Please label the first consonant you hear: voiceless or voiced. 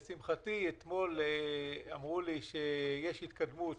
voiceless